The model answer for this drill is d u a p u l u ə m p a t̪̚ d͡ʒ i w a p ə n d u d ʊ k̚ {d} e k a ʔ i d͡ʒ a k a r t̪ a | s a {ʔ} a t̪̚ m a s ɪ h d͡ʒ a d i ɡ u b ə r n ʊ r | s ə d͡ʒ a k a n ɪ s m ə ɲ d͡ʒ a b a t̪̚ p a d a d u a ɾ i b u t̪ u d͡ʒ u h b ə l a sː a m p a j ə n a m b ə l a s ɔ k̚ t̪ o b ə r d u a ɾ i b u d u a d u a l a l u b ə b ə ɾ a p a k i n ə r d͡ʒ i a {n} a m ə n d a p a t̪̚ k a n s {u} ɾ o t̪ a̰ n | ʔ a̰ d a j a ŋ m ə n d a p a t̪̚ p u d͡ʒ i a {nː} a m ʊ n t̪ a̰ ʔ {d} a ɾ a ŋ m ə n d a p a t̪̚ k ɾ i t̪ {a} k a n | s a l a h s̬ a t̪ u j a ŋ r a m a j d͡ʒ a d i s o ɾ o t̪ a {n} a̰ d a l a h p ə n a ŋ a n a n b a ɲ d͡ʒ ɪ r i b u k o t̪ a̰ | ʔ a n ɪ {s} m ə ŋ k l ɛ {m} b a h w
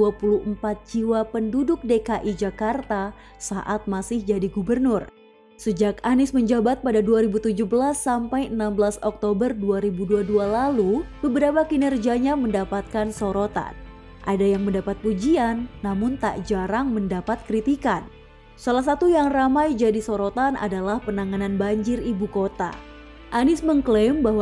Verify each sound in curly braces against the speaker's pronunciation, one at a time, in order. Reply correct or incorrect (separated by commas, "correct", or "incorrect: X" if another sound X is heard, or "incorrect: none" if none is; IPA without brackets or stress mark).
correct, correct, incorrect: ɲ, incorrect: o, correct, incorrect: d͡ʒ, incorrect: i, correct, correct, correct